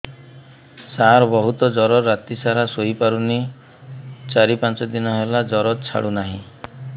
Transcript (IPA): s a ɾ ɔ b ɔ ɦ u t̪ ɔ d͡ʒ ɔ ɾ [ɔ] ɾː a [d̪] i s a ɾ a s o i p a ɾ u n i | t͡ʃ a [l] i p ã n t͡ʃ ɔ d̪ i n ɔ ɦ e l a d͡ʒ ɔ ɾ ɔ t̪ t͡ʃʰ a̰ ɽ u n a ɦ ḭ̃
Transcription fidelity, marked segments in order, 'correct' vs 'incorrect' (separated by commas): correct, incorrect, incorrect